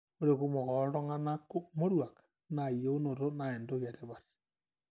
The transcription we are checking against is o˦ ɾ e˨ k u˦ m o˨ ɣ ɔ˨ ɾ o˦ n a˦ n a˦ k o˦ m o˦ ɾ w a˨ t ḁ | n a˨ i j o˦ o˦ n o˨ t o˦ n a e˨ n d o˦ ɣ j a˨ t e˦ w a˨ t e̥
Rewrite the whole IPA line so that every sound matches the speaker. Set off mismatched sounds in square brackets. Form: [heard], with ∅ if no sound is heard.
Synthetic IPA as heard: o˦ ɾ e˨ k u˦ m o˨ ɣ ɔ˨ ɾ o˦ [ŋ] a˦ n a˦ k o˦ m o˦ ɾ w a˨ [k] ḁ | n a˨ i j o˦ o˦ n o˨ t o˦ n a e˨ n d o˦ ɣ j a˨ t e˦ [β] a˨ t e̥